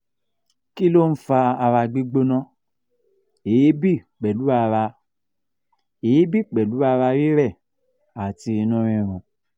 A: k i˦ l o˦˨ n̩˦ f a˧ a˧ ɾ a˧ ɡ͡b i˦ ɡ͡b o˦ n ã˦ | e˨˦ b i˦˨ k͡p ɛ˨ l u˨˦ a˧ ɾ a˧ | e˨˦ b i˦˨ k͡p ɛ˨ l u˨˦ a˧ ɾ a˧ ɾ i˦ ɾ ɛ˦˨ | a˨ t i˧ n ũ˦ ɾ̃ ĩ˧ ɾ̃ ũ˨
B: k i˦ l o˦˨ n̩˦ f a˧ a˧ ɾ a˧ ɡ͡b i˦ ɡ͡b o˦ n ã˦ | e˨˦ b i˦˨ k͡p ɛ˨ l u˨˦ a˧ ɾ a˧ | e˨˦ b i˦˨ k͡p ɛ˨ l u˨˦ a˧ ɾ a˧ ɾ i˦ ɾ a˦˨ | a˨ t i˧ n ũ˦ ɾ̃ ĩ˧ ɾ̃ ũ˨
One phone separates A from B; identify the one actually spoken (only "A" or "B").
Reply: A